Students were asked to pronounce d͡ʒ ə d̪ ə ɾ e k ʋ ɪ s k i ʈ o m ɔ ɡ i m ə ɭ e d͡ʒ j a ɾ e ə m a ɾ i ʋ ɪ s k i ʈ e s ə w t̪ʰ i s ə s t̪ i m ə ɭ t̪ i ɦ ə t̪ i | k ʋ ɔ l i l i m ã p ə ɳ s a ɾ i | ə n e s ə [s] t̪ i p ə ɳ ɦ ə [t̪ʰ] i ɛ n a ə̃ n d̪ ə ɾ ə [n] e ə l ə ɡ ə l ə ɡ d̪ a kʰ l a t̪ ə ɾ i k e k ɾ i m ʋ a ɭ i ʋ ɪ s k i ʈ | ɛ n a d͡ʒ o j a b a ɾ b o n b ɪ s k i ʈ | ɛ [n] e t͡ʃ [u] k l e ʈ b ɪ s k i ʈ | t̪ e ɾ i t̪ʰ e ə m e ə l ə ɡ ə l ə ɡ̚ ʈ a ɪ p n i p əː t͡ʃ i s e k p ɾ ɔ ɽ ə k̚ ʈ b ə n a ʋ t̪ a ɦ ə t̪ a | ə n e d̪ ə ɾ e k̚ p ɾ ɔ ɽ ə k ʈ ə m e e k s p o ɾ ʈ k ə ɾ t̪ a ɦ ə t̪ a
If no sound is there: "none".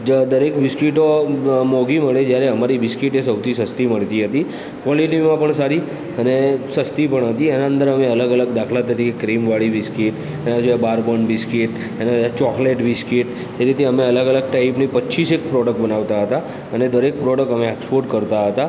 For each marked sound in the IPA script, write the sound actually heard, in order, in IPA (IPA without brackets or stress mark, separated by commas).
s, t̪, m, n, ɔ